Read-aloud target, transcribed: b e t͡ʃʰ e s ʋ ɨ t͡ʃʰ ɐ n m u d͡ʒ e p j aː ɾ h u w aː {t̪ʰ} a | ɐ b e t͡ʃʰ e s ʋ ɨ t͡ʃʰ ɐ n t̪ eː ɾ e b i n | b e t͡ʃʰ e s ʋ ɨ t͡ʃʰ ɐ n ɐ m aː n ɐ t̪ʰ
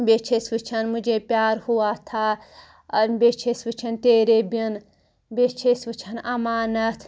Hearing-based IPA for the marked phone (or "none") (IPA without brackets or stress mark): t̪ʰ